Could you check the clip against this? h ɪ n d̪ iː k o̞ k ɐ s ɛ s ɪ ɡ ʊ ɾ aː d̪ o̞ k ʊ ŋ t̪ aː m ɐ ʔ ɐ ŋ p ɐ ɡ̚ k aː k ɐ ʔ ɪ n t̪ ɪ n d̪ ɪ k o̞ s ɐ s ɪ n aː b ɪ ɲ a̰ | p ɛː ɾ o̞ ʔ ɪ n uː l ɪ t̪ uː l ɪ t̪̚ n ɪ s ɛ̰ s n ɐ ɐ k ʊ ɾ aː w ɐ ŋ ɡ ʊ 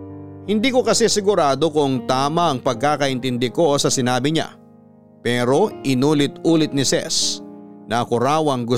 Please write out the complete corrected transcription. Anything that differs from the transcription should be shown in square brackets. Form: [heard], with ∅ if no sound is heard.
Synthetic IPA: h ɪ n d̪ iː k o̞ k ɐ s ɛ s ɪ ɡ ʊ ɾ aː d̪ o̞ k ʊ ŋ t̪ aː m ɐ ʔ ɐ ŋ p ɐ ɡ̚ k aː k ɐ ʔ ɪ n t̪ ɪ n d̪ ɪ k o̞ s ɐ s ɪ n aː b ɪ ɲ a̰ | p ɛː ɾ o̞ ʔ ɪ n uː l ɪ t̪ uː l ɪ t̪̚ n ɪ s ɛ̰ s n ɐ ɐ k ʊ ɾ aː w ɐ ŋ ɡ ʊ